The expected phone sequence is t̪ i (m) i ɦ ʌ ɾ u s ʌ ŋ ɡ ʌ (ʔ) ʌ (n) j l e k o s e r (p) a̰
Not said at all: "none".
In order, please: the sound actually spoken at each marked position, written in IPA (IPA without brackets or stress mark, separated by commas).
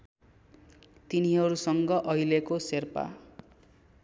n, ʔ, none, p